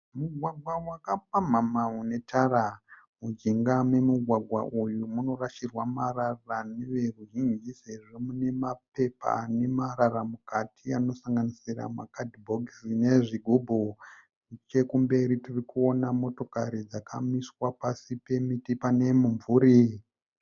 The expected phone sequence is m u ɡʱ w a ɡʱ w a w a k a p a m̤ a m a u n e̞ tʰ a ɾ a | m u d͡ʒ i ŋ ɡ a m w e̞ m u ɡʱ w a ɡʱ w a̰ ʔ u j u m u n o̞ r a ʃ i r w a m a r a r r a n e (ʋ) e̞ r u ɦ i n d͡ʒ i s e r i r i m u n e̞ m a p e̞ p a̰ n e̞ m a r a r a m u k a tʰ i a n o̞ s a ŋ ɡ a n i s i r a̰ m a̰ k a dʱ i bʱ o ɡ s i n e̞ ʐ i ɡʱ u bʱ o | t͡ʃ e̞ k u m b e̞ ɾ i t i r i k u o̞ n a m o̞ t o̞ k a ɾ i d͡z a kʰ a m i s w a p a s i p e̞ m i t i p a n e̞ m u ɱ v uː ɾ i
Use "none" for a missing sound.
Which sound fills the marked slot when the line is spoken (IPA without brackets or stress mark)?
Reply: ʋ